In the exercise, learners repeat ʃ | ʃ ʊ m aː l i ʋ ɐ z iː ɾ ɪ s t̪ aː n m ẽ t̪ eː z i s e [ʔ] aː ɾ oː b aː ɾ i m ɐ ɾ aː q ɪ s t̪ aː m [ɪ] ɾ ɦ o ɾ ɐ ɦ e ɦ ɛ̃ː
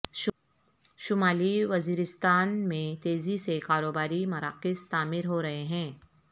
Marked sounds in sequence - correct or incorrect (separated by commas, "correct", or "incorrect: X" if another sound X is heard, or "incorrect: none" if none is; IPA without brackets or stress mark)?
incorrect: k, correct